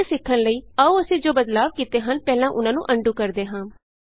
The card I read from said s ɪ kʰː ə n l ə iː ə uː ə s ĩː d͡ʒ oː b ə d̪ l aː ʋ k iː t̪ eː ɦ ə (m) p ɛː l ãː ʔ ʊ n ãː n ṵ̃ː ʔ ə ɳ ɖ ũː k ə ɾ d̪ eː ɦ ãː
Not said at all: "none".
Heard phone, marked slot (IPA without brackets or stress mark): n